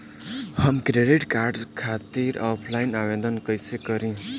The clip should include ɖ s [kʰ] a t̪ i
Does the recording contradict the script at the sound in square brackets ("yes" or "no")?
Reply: no